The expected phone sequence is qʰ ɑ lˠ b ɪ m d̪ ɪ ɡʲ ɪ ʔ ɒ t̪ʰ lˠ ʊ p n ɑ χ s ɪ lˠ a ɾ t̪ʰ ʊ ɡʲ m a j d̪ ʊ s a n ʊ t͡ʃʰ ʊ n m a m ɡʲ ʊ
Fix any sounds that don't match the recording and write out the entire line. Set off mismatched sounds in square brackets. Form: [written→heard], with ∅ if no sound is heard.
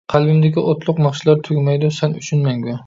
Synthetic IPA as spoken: qʰ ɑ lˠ b ɪ m d̪ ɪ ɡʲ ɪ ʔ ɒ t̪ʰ lˠ ʊ [p→q] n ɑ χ [s→ʃ] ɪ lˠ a ɾ t̪ʰ ʊ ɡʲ m a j d̪ ʊ s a n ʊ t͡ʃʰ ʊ n m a [m→ŋ] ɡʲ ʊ